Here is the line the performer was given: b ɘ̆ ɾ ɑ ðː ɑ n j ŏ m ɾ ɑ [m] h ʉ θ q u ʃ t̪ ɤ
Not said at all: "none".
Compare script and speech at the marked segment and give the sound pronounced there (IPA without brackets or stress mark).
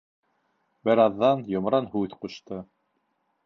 n